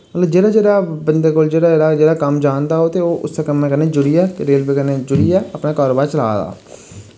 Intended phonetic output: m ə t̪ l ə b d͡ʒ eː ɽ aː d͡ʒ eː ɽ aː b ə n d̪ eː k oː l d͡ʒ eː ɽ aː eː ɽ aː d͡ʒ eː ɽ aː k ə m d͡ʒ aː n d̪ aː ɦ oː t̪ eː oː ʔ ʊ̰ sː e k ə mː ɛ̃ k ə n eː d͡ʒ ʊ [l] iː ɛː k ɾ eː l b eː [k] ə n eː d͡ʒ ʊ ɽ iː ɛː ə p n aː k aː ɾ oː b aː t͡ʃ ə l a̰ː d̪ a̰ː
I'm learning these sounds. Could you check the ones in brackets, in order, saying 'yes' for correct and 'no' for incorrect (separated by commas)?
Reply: no, yes